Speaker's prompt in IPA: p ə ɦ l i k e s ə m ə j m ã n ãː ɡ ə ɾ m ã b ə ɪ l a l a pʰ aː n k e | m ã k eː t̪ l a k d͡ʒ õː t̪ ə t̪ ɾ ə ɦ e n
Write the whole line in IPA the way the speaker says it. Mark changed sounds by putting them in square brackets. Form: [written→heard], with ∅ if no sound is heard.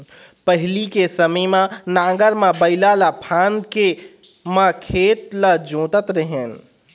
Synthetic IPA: p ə ɦ l i k e s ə m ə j m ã n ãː ɡ ə ɾ m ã b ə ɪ l a l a pʰ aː n k e | m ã [k→kʰ] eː t̪ l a [k→∅] d͡ʒ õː t̪ ə t̪ ɾ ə ɦ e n